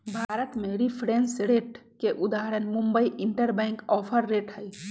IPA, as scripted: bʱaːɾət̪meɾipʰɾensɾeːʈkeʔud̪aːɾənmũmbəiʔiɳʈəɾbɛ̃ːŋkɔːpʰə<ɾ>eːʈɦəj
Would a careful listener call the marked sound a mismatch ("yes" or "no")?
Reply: yes